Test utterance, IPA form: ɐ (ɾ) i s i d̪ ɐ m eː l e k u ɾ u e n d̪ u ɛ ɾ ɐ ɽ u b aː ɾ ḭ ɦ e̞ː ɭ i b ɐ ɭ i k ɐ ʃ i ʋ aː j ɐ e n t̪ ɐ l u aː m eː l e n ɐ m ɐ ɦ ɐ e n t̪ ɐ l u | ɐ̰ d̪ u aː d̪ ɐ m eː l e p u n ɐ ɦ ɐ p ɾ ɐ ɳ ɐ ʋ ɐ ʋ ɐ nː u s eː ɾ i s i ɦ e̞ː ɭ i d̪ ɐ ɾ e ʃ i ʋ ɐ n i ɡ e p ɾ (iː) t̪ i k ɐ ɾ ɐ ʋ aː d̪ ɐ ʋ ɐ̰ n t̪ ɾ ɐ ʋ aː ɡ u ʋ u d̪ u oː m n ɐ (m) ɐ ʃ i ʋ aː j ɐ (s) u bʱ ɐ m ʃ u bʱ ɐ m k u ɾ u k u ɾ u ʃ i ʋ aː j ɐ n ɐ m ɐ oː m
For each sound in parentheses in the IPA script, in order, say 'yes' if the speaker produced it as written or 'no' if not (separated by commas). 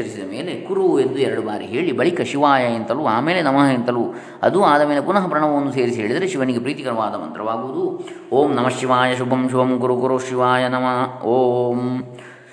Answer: yes, yes, yes, no